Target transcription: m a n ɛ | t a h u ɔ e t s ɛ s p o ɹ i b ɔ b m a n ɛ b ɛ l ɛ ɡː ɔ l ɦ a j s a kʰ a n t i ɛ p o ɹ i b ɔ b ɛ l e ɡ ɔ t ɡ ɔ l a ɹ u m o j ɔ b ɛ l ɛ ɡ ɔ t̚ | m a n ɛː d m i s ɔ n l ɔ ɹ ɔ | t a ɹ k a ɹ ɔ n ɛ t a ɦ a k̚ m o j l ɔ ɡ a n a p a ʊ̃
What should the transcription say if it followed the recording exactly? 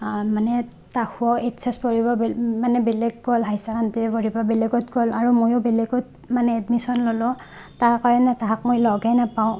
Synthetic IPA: m a n ɛ | t a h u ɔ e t s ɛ s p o ɹ i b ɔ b m a n ɛ b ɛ l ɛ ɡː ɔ l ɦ a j s a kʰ a n t i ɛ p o ɹ i b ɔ b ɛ l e ɡ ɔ t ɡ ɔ l a ɹ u m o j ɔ b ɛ l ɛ ɡ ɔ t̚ | m a n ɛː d m i s ɔ n l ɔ l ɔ | t a ɹ k a ɹ ɔ n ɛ t a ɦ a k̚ m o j l ɔ ɡ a n a p a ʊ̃